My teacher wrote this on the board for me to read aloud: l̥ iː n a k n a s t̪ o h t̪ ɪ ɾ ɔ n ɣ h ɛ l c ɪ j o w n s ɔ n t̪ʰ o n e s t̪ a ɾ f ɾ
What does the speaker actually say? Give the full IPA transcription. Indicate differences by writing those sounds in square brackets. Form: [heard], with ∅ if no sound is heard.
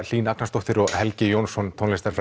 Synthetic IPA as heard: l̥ iː n a k n a s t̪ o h t̪ ɪ ɾ ɔ [∅] ɣ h ɛ l c ɪ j o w n s ɔ n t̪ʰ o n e s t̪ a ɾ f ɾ